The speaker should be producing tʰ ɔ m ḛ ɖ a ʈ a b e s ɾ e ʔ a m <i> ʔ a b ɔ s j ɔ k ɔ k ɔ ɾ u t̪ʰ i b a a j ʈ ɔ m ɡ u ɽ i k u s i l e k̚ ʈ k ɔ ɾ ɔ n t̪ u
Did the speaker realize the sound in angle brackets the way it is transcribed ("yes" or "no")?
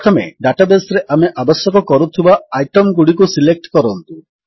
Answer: no